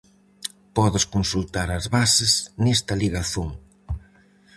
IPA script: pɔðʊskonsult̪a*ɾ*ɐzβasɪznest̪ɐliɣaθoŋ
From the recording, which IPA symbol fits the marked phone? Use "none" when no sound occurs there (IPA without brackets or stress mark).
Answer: ɾ